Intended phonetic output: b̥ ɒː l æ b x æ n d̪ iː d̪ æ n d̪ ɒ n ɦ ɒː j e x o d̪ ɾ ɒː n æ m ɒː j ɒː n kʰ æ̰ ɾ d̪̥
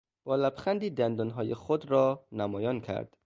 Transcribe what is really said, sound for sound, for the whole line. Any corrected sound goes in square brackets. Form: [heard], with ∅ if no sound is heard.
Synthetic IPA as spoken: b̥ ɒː l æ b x æ n d̪ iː d̪ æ n d̪ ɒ n ɦ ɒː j e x o d̪ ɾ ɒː n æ m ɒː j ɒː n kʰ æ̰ ɾ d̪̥